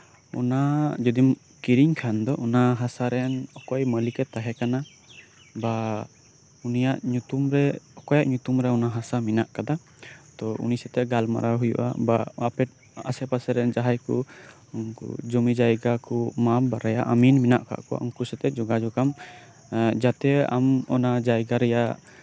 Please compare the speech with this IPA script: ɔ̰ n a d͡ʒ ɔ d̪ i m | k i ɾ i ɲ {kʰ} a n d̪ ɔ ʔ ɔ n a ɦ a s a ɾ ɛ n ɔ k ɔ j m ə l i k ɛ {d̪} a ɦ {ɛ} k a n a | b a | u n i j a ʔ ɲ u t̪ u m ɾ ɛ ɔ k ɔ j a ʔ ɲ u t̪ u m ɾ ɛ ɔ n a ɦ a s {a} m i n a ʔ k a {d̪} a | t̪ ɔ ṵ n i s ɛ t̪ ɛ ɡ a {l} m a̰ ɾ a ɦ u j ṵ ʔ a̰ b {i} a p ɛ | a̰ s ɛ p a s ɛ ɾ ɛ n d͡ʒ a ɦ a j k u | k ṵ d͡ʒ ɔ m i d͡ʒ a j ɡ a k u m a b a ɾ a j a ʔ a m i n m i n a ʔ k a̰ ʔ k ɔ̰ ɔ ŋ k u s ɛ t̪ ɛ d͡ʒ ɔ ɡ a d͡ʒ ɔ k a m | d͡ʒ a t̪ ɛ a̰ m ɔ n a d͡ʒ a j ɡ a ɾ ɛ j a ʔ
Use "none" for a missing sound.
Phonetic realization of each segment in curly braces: kʰ, t̪, ɛ, a, d̪, l, a

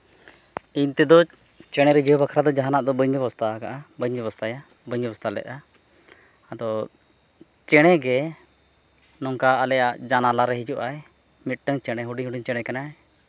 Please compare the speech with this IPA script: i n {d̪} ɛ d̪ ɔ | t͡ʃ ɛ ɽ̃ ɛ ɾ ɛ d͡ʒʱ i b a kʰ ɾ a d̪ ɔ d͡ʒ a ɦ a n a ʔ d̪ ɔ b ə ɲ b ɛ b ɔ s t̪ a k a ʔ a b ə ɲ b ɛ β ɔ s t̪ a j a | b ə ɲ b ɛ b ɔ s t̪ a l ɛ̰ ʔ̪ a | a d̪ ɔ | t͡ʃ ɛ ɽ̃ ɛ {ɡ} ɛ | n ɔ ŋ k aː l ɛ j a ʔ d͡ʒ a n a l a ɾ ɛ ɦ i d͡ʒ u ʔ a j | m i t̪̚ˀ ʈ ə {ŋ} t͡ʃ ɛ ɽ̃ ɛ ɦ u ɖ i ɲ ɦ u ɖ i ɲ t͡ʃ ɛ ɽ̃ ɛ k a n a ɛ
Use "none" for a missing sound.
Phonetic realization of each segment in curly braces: t̪, ɡ, ŋ

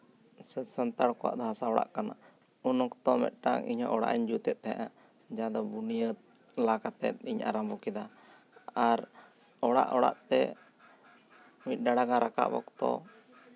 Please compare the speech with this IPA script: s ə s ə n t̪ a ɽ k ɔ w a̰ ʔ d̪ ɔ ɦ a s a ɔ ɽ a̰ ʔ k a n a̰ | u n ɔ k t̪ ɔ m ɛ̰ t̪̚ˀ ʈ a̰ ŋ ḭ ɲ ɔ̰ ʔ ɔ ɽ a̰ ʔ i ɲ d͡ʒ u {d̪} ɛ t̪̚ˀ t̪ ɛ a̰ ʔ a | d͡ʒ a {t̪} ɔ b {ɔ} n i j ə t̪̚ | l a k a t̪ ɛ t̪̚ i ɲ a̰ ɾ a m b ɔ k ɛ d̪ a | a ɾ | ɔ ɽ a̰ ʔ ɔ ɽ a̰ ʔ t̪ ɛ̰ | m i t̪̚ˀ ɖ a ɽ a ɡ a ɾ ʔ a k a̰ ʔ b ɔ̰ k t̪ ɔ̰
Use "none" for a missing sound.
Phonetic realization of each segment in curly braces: t̪, d̪, u

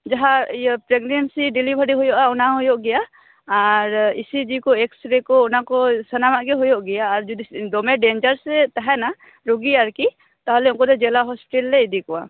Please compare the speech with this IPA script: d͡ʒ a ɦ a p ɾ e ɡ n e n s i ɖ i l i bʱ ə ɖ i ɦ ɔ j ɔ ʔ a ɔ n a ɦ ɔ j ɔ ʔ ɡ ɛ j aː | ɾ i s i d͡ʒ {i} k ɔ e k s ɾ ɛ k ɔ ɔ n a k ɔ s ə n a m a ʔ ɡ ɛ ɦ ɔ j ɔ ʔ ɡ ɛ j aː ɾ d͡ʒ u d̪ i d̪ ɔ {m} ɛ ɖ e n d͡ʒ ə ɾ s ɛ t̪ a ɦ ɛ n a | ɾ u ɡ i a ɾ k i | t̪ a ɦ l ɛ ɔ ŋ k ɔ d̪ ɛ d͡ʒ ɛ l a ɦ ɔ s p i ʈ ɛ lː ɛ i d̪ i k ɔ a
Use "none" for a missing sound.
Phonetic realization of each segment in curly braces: i, m

